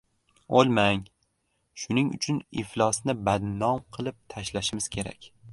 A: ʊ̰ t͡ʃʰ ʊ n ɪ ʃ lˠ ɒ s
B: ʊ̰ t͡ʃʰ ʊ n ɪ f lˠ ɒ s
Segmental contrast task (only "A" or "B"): B